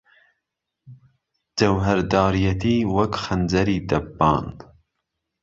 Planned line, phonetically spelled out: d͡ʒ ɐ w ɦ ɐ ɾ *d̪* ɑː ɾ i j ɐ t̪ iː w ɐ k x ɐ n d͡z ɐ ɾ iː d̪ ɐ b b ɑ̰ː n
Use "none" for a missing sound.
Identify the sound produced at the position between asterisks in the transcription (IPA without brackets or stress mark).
d̪